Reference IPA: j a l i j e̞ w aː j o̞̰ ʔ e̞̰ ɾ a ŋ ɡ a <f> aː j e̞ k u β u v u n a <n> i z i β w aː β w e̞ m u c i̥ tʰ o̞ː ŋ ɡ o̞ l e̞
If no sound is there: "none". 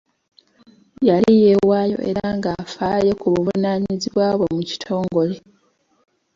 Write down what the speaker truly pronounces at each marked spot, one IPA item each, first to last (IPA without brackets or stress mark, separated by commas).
f, ɲ